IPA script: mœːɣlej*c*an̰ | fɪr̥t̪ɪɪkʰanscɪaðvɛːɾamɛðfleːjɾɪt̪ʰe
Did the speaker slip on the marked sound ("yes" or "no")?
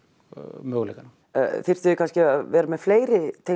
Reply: yes